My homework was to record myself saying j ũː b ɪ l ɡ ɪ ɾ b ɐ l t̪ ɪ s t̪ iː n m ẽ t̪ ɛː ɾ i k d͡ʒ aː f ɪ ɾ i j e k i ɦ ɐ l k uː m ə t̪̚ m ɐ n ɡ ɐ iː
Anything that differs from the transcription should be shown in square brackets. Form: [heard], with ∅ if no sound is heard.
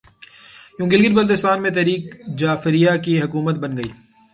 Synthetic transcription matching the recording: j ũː [ɡ] ɪ l ɡ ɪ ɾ b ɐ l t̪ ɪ s t̪ [aː] n m ẽ t̪ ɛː ɾ [iː] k d͡ʒ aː f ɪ ɾ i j [a] k i ɦ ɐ [∅] k uː m ə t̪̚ [b] ɐ n ɡ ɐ iː